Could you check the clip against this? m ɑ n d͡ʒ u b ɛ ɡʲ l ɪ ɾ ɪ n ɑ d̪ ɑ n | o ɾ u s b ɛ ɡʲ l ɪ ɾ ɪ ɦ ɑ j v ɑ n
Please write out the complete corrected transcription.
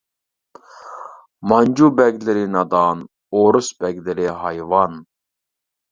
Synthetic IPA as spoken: m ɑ n d͡ʒ u b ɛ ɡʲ l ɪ ɾ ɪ n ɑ d̪ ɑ n | o ɾ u s b ɛ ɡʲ l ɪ ɾ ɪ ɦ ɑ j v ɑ n